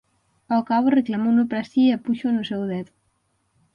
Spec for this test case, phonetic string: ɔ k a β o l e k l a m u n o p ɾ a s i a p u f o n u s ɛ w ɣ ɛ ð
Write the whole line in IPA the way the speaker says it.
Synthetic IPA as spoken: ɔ k a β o r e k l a m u n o p ɾ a s i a p u ʃ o n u s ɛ w ð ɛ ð